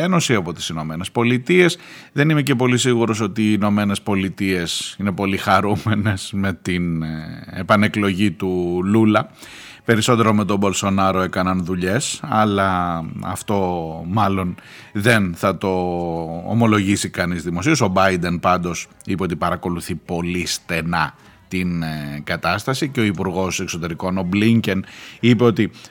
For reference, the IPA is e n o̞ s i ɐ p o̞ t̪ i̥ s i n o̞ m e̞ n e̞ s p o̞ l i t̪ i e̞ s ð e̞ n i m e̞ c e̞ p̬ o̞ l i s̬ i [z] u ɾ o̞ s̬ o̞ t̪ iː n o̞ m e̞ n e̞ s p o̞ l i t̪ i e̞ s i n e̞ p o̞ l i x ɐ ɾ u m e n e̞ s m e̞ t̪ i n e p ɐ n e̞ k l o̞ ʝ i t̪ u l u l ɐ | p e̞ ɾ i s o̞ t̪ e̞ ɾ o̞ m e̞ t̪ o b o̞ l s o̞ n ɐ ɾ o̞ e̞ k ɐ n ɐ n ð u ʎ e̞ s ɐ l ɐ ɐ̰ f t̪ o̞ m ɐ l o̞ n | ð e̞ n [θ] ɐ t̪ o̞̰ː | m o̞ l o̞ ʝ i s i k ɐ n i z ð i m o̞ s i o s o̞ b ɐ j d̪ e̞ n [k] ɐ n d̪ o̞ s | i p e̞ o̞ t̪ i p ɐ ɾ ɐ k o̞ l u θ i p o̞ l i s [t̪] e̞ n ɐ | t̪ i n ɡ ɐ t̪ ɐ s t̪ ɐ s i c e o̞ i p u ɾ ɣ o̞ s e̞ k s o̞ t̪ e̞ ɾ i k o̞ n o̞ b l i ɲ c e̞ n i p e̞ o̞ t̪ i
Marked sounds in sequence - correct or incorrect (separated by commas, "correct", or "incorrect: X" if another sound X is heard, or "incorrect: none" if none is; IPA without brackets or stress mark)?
incorrect: ɣ, correct, incorrect: p, correct